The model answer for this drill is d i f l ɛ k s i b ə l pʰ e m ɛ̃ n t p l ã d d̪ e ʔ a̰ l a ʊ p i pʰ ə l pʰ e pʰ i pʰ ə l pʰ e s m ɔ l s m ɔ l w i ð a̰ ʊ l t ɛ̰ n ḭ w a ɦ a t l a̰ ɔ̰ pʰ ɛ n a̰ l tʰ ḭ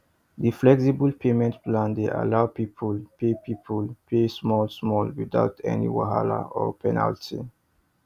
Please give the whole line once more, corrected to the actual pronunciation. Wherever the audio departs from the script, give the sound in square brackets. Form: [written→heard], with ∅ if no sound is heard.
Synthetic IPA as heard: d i f l ɛ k s i b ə l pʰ e m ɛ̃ n t p l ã [d→n] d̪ e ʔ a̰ l a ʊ p i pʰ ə l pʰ e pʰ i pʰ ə l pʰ e s m ɔ l s m ɔ l w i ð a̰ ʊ [l→∅] t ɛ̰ n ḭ w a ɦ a [t→∅] l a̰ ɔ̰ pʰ ɛ n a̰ l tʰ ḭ